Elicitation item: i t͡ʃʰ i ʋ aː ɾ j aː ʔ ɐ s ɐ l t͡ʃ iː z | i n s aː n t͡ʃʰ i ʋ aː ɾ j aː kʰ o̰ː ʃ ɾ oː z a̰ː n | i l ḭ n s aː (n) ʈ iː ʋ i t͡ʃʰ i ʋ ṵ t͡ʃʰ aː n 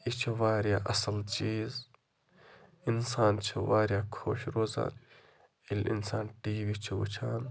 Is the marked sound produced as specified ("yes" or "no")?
yes